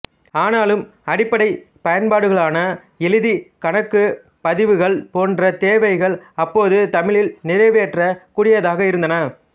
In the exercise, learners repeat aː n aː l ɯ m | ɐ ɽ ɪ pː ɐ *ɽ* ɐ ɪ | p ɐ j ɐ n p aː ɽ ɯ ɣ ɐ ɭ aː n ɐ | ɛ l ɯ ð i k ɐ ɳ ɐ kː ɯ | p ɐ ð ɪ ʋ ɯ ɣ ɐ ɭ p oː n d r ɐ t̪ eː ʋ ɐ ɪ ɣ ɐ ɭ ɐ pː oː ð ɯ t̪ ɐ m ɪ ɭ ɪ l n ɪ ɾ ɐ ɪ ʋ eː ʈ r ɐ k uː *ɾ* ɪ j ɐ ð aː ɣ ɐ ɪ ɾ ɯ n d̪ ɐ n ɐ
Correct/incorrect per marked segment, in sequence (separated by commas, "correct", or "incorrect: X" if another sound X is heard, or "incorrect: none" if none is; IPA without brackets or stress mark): correct, incorrect: ɽ